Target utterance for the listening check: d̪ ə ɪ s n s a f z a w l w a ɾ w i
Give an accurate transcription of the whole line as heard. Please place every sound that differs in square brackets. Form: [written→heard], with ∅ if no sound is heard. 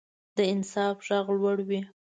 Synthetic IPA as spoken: d̪ ə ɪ [s→∅] n s [a→ɑ] f [z→ʒ] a [w→ɣ] l w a [ɾ→ɽ] w i